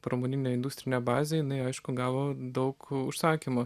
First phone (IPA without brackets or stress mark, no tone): p